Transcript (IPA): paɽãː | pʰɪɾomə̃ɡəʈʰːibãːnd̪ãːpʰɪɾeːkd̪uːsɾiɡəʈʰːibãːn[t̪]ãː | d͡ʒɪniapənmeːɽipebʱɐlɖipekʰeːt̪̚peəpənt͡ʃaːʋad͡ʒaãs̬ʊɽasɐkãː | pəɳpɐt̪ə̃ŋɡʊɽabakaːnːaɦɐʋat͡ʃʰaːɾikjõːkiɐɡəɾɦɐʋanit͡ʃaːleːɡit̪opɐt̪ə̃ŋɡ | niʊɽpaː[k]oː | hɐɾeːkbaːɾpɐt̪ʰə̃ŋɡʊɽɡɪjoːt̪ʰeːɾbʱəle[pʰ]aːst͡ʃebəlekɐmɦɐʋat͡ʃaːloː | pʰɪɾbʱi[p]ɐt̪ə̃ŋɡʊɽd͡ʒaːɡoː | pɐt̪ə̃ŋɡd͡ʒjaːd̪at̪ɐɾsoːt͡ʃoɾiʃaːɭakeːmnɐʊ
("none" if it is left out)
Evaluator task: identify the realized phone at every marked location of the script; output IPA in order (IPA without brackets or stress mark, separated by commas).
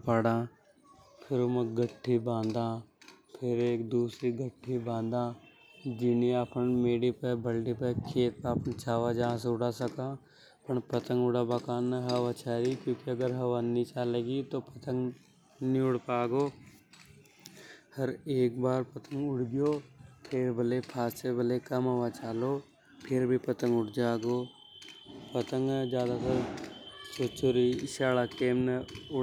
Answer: d̪, ɡ, pʰ, p